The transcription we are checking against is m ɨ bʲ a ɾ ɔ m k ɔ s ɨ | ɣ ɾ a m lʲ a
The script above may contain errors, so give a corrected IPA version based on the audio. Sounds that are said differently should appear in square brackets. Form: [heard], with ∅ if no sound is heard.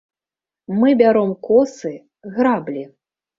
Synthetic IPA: m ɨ bʲ a ɾ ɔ m k ɔ s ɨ | ɣ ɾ a [b] lʲ [i]